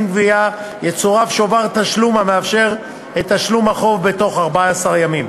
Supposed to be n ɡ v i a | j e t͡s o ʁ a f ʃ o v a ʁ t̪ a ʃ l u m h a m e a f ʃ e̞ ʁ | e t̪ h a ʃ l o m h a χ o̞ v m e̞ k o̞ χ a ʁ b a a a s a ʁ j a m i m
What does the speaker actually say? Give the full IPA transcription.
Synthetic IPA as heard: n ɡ v i a | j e t͡s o ʁ a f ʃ o v a ʁ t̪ a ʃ l u m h a m e a f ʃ e̞ ʁ | e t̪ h a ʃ l u m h a χ o̞ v b e̞ t o̞ χ a ʁ b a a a s a ʁ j a m i m